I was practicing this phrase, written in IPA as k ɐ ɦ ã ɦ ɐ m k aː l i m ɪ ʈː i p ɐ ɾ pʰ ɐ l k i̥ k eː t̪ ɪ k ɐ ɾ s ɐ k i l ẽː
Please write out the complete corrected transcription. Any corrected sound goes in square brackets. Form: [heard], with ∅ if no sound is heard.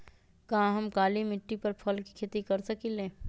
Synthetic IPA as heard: k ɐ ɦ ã ɦ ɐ m k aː l i m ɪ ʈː i p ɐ ɾ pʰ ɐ l k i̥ [kʰ] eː t̪ [i] k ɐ ɾ s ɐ k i l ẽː